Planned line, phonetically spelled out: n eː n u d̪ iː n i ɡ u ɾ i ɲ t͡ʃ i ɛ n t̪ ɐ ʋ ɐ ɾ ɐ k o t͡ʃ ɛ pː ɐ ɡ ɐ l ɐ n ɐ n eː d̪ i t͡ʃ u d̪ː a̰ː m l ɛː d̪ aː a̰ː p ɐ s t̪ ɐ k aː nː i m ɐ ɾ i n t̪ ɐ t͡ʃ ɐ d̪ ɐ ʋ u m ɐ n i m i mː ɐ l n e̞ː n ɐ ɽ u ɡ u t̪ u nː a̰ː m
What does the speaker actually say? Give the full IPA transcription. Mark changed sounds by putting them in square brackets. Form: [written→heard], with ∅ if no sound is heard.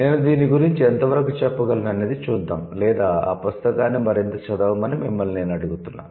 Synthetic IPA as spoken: n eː n u d̪ iː n i ɡ u ɾ i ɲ t͡ʃ i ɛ n t̪ ɐ ʋ ɐ ɾ ɐ k [o→u] t͡ʃ ɛ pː ɐ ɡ ɐ l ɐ n ɐ n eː d̪ i t͡ʃ [u→uː] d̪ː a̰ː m l ɛː d̪ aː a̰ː p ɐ s t̪ ɐ k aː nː i m ɐ ɾ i n t̪ ɐ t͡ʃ ɐ d̪ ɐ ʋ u m ɐ n i m i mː ɐ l n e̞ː n ɐ ɽ u ɡ u t̪ u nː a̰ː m